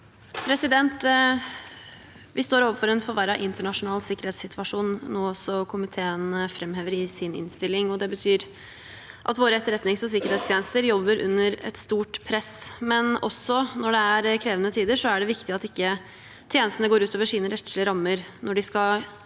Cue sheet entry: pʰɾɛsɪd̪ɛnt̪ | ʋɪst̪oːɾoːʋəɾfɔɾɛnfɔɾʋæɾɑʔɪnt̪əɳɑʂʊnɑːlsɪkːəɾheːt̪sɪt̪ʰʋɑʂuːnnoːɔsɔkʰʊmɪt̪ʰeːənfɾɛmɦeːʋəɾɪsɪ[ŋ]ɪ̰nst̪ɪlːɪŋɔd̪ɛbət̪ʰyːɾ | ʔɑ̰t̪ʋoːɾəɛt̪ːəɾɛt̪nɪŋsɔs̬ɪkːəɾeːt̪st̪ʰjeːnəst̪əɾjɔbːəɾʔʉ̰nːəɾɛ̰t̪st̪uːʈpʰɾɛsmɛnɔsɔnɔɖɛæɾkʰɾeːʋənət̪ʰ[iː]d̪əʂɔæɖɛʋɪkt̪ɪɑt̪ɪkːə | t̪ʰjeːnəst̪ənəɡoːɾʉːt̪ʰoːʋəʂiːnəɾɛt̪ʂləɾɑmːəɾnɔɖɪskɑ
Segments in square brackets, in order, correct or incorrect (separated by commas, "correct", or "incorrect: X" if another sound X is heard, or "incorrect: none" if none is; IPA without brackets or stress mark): incorrect: n, correct